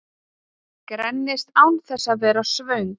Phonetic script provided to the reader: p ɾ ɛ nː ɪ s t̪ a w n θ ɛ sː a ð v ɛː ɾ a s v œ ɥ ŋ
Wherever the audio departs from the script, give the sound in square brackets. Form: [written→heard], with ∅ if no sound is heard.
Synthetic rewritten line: [p→k] ɾ ɛ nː ɪ s t̪ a w n θ ɛ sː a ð v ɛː ɾ a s v œ ɥ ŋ